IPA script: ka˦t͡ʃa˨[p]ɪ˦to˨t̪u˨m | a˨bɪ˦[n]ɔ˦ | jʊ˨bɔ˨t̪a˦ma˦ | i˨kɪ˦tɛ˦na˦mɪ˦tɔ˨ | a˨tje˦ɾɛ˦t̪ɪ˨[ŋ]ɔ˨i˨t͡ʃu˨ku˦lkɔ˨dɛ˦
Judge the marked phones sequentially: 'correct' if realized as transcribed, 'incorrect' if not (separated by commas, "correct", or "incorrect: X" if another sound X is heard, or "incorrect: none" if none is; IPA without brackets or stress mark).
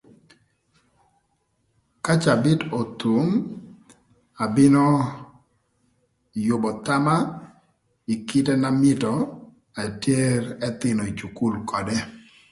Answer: incorrect: b, correct, incorrect: n